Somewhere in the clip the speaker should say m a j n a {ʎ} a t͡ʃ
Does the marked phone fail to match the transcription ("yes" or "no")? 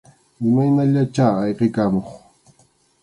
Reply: no